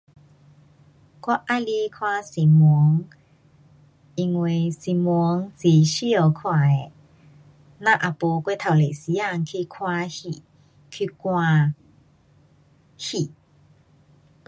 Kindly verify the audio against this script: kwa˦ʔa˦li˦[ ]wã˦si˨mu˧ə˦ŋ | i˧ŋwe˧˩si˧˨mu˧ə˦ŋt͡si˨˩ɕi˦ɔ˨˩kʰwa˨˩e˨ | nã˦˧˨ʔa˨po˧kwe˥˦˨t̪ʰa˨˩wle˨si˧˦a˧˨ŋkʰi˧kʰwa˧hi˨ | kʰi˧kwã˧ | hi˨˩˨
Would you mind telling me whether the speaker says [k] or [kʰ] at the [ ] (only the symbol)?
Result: kʰ